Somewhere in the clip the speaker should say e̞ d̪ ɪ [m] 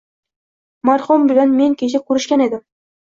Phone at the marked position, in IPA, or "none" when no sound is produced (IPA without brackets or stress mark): m